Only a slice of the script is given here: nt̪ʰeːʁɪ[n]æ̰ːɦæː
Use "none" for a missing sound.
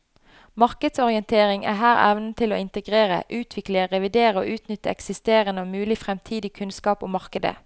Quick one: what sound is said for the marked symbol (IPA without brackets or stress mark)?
ŋ